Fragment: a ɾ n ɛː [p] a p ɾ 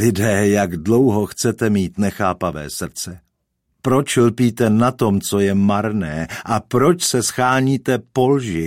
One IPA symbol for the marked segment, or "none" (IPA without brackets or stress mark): ʔ